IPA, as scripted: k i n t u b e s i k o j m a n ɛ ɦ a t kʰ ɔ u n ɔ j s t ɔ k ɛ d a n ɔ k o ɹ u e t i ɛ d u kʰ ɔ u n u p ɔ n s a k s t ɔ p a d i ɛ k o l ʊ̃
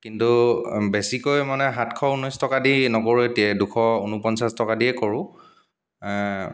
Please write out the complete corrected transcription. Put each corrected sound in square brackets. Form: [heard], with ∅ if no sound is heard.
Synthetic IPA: k i n t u b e s i k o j m a n ɛ ɦ a t kʰ ɔ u n ɔ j s t ɔ k [a] d [i] n ɔ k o ɹ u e t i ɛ d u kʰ ɔ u n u p ɔ n s a [∅] s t ɔ [k] a d i ɛ k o [ɹ] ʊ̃

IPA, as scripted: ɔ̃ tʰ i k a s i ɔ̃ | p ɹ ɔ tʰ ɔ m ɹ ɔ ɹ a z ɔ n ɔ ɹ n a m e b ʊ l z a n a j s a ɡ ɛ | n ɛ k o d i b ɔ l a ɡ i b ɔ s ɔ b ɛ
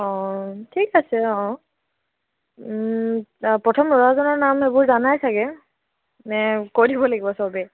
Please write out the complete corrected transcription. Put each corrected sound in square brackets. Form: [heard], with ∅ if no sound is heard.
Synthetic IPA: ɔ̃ tʰ i k a s [ɛ] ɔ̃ | p ɹ ɔ tʰ ɔ m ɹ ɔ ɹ a z ɔ n ɔ ɹ n a m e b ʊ [ɹ] z a n a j s a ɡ ɛ | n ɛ k o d i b ɔ l a ɡ i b ɔ s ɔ b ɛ

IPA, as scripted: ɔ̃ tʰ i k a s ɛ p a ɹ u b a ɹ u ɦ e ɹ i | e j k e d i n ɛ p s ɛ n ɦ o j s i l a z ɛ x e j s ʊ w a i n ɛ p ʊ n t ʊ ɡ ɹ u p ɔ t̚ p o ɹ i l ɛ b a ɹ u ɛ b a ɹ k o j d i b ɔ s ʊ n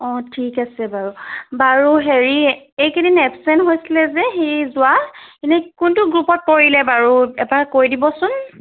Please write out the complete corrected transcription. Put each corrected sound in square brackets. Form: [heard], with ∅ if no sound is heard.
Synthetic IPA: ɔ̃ tʰ i k a s ɛ [b] a ɹ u b a ɹ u ɦ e ɹ i | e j k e d i n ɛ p s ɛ n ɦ o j s i l [ɛ] z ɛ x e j [z] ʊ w a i n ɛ [k] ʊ n t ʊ ɡ ɹ u p ɔ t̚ p o ɹ i l ɛ b a ɹ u ɛ b a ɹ k o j d i b ɔ s ʊ n

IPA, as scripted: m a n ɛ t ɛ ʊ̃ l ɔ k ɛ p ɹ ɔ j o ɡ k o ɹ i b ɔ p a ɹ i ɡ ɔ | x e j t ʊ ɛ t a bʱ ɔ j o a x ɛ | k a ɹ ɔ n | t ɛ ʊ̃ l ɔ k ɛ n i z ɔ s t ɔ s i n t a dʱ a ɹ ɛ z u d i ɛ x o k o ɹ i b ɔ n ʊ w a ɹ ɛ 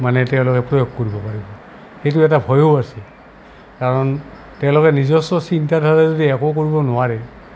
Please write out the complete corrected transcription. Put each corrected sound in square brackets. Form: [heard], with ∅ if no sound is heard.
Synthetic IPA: m a n ɛ t ɛ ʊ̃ l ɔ k ɛ p ɹ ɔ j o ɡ k o ɹ i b ɔ p a ɹ i [b] ɔ | x e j t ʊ ɛ t a bʱ ɔ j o a [s] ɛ | k a ɹ ɔ n | t ɛ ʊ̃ l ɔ k ɛ n i z ɔ s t ɔ s i n t a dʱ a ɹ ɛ z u d i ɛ [k] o k o ɹ i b ɔ n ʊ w a ɹ ɛ

